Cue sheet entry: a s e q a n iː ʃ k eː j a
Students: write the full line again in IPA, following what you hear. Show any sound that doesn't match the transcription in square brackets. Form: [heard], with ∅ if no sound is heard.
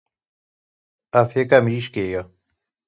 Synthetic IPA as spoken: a [f] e [k] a [m] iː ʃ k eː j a